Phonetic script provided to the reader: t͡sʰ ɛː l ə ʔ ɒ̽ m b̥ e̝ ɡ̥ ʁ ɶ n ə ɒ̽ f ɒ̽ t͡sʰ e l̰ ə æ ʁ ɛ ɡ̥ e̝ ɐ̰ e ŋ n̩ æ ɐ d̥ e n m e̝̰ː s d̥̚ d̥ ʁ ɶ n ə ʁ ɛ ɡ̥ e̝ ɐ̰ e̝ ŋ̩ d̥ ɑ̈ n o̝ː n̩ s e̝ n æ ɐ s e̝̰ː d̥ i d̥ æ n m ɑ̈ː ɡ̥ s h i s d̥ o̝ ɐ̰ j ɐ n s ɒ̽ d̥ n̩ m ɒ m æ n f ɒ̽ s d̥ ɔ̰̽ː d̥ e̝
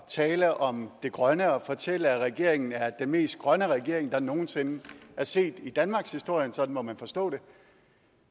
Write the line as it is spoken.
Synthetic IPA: t͡sʰ ɛː l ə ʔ ɒ̽ m d̥ e̝ ɡ̥ ʁ ɶ n ə ɒ̽ f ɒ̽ t͡sʰ e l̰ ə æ ʁ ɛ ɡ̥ e̝ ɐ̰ e ŋ n̩ æ ɐ d̥ e n m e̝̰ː s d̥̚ ɡ̥ ʁ ɶ n ə ʁ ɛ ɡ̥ e̝ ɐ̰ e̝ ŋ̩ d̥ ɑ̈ n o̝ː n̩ s e̝ n æ ɐ s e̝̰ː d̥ i d̥ æ n m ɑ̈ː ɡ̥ s h i s d̥ o̝ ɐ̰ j ə n s ɒ̽ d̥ n̩ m ɒ m æ n f ɒ̽ s d̥ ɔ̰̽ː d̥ e̝